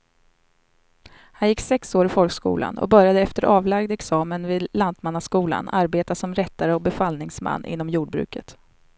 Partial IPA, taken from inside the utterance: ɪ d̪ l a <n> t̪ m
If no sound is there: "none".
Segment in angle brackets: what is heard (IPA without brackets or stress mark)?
n